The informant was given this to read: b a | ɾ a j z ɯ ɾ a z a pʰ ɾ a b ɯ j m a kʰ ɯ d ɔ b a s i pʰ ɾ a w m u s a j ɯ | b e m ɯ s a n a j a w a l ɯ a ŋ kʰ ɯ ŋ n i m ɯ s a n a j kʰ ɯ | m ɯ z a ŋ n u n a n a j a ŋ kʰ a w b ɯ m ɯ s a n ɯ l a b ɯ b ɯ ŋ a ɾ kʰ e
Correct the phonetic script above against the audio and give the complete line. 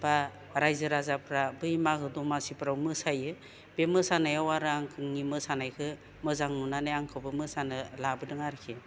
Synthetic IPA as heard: b a | ɾ a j z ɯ ɾ a z a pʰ ɾ a b ɯ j m a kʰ ɯ d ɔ m a s i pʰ ɾ a w m ɯ s a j ɯ | b e m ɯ s a n a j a w a ɾ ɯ a ŋ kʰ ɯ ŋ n i m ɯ s a n a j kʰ ɯ | m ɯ z a ŋ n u n a n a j a ŋ kʰ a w b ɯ m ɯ s a n ɯ l a b ɯ d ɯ ŋ a ɾ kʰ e